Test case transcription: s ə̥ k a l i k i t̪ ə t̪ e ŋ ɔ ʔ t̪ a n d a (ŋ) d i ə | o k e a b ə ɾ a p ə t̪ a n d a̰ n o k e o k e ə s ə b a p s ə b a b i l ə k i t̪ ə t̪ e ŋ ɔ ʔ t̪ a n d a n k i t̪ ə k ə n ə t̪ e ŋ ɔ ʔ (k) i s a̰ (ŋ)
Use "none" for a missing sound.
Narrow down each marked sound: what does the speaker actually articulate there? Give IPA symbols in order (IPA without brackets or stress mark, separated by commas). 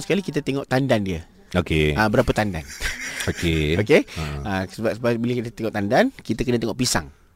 n, p, ŋ